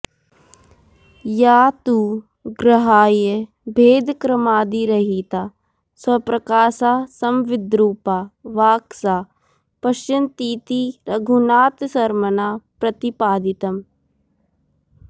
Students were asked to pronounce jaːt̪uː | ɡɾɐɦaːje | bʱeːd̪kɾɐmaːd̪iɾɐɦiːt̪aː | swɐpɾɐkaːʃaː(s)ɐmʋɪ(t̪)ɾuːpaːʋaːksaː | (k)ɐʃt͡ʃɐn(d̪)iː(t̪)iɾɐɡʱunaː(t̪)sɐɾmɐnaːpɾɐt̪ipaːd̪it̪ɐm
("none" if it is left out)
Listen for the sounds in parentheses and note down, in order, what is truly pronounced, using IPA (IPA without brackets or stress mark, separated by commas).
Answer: s, d̪, p, t̪, t̪, t̪